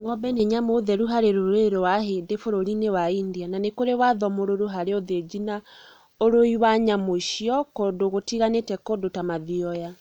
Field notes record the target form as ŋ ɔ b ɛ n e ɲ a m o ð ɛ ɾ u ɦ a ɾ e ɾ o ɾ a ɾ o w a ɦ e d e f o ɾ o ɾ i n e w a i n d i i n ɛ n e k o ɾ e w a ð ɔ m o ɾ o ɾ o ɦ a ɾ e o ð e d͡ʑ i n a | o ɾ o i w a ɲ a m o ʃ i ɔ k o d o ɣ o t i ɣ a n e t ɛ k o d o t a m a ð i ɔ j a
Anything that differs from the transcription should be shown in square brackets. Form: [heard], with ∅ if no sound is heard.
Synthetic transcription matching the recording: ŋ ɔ b ɛ n e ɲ a m o ð ɛ ɾ u ɦ a ɾ e ɾ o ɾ [e] ɾ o w a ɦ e d e f o ɾ o ɾ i n e w a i n d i [a] n [a] n e k o ɾ e w a ð ɔ m o ɾ o ɾ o ɦ a ɾ e o ð e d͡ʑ i n a | o ɾ o i w a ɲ a m o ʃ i ɔ k o d o ɣ o t i ɣ a n e t ɛ k o d o t a m a ð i ɔ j a